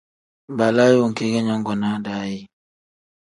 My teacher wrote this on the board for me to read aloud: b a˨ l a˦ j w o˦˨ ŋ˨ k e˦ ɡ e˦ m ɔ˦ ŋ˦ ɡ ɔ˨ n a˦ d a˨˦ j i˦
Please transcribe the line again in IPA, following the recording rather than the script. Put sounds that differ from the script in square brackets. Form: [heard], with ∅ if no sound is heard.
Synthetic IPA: b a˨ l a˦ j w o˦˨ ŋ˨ k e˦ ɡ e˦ [ɲ] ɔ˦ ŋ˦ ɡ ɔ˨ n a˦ d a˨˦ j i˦